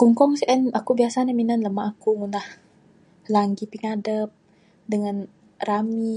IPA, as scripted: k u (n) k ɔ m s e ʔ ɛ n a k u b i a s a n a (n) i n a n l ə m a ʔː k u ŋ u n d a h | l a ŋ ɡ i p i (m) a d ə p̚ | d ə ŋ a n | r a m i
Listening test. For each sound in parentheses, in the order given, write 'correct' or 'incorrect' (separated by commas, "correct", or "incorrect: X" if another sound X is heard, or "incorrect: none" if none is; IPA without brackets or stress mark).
incorrect: ŋ, incorrect: m, incorrect: ŋ